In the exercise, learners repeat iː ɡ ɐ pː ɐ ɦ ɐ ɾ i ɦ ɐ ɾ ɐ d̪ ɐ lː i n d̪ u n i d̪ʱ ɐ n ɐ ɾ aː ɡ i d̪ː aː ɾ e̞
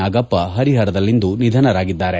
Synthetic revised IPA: aː ɡ ɐ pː ɐ ɦ ɐ ɾ i ɦ ɐ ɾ ɐ d̪ ɐ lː i n d̪ u n i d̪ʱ ɐ n ɐ ɾ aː ɡ i d̪ː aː ɾ e̞